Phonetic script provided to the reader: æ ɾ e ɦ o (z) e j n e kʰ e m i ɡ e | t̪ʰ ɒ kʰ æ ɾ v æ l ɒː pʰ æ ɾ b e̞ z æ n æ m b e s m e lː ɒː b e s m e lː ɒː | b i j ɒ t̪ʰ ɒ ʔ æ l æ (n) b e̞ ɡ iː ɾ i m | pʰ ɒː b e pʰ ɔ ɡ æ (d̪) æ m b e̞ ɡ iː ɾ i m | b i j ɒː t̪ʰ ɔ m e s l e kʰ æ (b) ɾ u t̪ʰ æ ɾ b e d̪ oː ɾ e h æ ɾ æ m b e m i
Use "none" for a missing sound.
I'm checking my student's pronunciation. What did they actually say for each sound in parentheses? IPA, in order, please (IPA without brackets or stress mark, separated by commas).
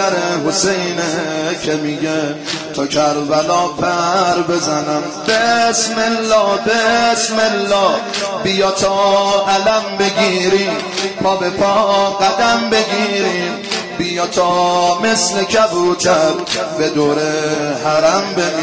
s, m, d̪, b